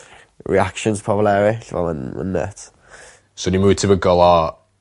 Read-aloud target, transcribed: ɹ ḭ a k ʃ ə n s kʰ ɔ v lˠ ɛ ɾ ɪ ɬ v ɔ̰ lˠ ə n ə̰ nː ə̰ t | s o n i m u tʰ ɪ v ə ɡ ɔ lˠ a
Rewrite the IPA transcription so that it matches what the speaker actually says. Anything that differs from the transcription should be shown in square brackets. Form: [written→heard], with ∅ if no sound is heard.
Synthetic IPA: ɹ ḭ a k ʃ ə n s [kʰ→pʰ] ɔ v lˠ ɛ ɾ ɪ ɬ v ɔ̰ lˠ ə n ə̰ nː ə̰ t | s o n i m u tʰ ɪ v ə ɡ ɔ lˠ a